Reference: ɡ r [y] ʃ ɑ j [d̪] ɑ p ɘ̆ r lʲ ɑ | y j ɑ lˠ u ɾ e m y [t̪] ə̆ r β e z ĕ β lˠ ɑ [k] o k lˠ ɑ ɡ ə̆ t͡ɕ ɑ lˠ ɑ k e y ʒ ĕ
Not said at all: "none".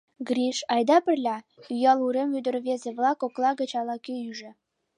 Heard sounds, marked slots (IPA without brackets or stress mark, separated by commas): i, d̪, d̪, k